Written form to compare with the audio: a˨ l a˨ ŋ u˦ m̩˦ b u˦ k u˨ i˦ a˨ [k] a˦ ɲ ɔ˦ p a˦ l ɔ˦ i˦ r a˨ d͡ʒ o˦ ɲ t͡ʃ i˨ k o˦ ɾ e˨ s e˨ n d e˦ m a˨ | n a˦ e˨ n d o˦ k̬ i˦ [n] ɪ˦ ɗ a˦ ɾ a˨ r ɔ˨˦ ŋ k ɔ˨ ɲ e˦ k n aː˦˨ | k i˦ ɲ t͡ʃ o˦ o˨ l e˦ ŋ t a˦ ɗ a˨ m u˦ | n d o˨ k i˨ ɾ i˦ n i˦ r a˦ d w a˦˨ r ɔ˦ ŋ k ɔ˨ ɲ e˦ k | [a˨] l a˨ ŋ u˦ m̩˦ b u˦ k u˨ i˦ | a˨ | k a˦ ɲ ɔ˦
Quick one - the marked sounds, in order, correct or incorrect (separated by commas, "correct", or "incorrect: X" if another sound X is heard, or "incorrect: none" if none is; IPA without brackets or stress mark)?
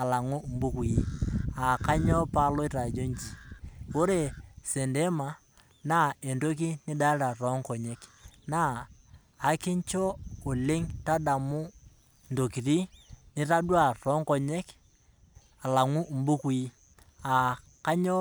correct, correct, correct